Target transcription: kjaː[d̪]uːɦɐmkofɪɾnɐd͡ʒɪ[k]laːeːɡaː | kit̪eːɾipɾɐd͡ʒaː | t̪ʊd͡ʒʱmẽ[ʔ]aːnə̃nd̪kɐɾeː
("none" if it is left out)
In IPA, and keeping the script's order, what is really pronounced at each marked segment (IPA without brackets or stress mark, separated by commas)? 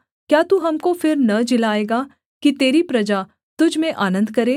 t̪, none, ʔ